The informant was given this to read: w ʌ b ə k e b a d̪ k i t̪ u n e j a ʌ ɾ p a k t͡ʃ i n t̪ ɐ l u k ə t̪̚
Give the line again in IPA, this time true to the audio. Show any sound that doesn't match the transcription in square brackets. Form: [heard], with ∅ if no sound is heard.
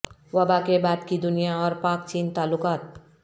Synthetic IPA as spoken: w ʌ b [a] k e b a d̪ k i [d̪] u n [i] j a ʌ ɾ p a k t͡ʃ i n t̪ [a] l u k [a] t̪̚